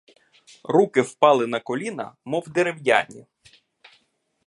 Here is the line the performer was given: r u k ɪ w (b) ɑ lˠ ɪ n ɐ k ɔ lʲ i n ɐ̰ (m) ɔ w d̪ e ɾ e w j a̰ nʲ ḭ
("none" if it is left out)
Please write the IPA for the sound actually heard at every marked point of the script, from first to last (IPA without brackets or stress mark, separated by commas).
p, m